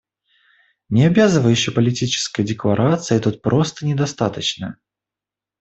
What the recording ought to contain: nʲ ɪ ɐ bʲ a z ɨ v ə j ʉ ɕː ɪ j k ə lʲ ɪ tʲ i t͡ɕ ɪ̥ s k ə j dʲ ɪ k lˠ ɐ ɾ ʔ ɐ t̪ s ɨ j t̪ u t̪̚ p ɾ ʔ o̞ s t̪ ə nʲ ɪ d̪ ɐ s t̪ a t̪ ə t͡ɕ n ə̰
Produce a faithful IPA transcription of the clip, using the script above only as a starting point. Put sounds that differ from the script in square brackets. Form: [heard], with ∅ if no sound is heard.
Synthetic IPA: nʲ ɪ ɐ bʲ a z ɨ v ə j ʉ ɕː ɪ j [p] ə lʲ ɪ tʲ i t͡ɕ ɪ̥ s k ə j dʲ ɪ k lˠ ɐ ɾ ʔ [a] t̪ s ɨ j t̪ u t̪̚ p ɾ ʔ o̞ s t̪ ə nʲ ɪ d̪ ɐ s t̪ a t̪ ə t͡ɕ n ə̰